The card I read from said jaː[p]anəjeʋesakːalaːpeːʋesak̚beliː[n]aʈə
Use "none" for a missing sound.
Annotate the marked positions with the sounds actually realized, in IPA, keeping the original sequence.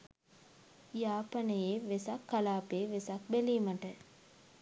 p, m

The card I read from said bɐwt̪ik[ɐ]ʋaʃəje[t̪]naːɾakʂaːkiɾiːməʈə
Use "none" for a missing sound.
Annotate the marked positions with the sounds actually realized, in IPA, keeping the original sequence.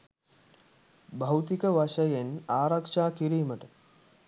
ə, none

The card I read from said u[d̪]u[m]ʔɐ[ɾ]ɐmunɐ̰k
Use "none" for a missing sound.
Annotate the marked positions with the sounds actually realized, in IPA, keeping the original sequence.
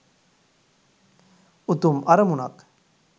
t̪, m, ɾ

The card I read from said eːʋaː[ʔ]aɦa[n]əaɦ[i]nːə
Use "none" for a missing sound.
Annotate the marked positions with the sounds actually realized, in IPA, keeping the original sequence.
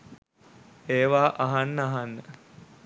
ʔ, nː, a

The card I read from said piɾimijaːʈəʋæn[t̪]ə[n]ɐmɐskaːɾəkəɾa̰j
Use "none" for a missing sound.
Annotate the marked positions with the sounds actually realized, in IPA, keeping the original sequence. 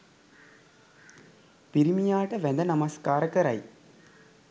d̪, n

